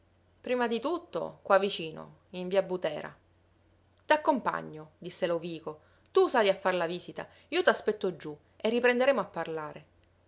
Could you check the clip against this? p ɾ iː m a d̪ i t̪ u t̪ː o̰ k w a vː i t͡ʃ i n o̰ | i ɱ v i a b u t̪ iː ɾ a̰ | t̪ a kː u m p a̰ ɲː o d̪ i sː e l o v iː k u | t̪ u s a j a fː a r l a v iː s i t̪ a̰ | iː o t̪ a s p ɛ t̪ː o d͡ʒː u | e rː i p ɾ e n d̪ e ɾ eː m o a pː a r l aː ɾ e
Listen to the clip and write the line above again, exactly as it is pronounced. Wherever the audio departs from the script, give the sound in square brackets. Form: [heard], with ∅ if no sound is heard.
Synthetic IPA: p ɾ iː m a d̪ i t̪ u t̪ː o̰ k w a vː i t͡ʃ [iː] n o̰ | i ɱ v i a b u t̪ [ɛː] ɾ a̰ | t̪ a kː [o] m p a̰ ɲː o d̪ i sː e l o v iː k [o] | t̪ u s a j a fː a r l a v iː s i t̪ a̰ | iː o t̪ a s p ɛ t̪ː o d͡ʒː u | e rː i p ɾ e n d̪ e ɾ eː m o a pː a r l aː ɾ e